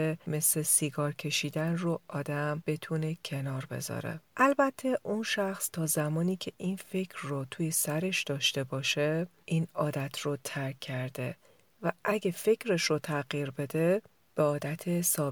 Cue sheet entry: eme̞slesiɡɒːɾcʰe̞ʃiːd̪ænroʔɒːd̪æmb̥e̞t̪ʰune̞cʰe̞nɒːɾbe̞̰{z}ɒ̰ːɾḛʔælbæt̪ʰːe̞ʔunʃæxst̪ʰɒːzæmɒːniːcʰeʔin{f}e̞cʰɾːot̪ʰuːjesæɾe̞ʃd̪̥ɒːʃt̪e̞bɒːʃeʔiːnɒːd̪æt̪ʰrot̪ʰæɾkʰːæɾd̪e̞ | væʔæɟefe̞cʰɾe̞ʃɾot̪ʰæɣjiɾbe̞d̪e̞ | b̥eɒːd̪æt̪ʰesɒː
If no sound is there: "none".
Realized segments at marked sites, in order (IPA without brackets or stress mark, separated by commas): z, f